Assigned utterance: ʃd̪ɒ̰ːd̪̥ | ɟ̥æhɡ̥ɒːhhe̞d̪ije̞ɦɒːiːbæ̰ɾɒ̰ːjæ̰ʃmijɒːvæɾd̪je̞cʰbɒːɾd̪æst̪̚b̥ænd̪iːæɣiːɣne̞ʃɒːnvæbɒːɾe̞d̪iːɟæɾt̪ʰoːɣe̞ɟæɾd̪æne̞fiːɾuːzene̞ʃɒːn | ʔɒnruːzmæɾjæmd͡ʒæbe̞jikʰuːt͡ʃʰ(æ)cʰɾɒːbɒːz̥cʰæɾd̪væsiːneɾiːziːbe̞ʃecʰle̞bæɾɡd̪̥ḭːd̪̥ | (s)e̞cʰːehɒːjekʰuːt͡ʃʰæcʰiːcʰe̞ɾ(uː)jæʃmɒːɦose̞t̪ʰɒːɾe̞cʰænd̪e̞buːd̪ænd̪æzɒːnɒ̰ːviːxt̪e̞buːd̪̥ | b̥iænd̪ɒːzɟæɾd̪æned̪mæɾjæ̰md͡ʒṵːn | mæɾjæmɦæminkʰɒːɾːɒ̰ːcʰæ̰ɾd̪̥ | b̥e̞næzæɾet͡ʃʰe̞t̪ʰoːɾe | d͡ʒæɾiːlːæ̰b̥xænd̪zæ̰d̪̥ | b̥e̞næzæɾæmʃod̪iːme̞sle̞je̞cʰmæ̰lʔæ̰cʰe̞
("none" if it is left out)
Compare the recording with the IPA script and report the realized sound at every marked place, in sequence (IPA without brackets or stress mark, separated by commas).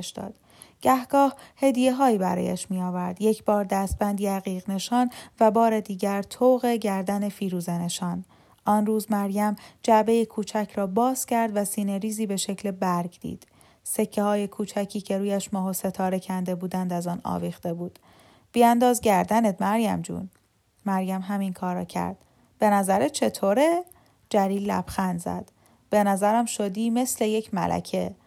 æ, s, uː